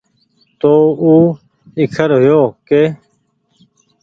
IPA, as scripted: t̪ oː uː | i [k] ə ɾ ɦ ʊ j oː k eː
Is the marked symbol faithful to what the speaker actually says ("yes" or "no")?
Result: no